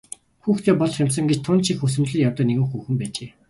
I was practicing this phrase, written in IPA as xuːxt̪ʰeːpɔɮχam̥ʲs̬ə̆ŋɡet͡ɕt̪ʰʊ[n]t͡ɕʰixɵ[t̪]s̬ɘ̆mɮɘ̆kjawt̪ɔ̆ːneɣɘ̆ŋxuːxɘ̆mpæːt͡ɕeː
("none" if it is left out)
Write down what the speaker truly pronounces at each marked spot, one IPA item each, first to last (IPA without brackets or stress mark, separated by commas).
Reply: n, none